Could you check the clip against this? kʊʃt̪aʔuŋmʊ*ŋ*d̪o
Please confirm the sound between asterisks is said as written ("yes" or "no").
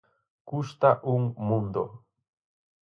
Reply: no